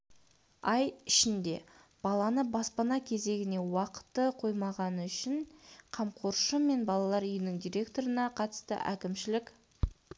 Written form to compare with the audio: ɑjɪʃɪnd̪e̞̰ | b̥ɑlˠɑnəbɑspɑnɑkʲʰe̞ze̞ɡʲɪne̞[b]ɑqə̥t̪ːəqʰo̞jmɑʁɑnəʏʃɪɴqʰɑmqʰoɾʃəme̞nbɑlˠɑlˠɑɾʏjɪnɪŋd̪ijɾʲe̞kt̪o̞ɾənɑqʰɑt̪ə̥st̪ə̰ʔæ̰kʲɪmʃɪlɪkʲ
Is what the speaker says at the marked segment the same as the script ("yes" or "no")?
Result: no